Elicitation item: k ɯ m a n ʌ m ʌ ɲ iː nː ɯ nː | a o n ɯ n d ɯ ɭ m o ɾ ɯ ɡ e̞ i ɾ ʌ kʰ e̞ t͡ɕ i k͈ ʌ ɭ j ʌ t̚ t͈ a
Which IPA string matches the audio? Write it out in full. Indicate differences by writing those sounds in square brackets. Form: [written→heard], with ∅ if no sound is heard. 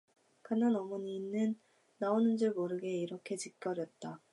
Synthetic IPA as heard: k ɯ [m→n] a n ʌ m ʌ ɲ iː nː ɯ nː | a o n ɯ n [d→d͡ʑ] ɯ ɭ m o ɾ ɯ ɡ e̞ i ɾ ʌ kʰ e̞ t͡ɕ i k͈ ʌ [ɭ→ɾ] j ʌ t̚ t͈ a